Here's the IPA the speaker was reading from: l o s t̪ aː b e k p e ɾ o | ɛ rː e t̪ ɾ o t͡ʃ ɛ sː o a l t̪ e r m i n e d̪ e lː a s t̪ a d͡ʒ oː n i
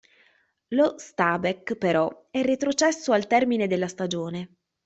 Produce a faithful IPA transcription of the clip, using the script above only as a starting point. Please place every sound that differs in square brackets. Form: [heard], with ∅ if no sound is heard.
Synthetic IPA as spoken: l o s t̪ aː b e k p e ɾ [ɔ] | ɛ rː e t̪ ɾ o t͡ʃ ɛ sː o a l t̪ [ɛ] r m i n e d̪ e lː a s t̪ a d͡ʒ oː n [e]